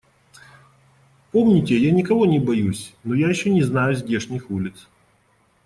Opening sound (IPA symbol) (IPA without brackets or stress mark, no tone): p